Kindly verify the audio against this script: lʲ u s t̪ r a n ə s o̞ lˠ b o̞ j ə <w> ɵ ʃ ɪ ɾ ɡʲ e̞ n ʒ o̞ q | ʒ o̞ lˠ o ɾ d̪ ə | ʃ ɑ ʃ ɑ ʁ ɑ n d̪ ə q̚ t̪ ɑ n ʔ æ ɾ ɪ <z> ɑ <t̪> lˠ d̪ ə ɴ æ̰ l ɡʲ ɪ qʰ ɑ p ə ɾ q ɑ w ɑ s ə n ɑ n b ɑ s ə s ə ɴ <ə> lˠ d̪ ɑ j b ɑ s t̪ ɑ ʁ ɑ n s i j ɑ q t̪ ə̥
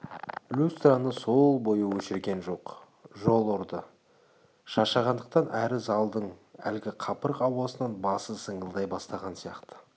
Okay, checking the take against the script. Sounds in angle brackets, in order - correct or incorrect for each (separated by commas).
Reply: correct, correct, incorrect, correct